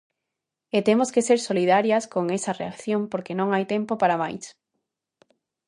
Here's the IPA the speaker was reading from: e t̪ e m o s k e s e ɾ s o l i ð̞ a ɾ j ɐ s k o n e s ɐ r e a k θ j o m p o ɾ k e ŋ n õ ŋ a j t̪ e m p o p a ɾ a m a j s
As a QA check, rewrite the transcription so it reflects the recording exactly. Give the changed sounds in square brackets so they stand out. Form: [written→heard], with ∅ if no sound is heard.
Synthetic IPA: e t̪ e m o s k e s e ɾ s o l i ð̞ a ɾ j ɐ s k o [n→ŋ] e s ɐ r e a k θ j o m p o ɾ k e [ŋ→∅] n õ ŋ a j t̪ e m p o p a ɾ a m a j s